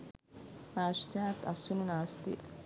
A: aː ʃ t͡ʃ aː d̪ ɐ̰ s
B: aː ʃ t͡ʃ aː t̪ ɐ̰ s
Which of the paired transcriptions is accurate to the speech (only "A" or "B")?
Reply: B